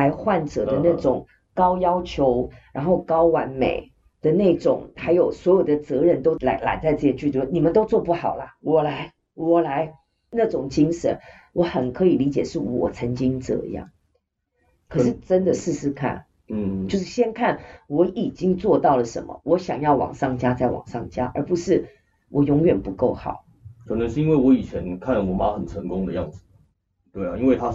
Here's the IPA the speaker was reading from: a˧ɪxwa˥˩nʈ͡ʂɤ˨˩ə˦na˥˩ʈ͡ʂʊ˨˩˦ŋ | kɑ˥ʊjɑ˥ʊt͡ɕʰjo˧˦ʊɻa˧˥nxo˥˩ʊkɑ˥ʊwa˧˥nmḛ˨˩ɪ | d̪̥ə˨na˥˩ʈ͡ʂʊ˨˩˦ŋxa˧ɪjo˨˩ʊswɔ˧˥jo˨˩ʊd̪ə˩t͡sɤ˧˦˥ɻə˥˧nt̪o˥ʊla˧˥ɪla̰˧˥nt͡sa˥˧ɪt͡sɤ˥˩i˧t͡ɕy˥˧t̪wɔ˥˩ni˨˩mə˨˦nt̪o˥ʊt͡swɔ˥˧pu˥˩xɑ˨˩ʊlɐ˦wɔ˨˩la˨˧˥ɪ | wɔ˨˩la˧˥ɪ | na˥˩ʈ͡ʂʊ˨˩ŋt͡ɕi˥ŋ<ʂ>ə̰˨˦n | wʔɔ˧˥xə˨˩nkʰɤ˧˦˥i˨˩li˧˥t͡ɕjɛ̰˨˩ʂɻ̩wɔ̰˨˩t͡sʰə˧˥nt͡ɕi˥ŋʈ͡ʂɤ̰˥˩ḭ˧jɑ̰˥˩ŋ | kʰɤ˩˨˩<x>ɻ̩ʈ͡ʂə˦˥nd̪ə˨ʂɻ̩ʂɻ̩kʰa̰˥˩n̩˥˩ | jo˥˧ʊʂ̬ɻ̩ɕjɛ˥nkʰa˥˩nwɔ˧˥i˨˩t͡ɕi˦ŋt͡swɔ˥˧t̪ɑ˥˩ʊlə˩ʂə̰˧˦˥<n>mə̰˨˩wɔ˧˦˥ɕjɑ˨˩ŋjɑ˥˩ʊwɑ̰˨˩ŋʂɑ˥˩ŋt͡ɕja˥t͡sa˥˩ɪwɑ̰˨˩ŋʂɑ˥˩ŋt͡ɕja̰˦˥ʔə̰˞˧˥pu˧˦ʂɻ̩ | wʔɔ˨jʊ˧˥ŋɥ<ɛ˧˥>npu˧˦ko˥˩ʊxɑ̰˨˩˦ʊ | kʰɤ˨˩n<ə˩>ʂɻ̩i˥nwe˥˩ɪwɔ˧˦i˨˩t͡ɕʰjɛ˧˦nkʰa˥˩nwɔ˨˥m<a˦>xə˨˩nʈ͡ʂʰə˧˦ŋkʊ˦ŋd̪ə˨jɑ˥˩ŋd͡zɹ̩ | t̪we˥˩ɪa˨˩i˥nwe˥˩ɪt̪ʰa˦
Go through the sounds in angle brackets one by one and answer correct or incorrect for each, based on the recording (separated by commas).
correct, incorrect, correct, incorrect, incorrect, correct